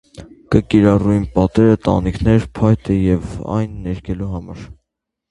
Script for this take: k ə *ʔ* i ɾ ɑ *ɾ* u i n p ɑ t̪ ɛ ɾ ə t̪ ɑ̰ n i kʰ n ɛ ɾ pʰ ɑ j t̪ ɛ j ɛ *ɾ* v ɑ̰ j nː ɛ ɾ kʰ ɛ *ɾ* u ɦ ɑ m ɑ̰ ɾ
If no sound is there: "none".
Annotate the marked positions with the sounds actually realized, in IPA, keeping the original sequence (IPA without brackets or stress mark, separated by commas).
k, r, none, l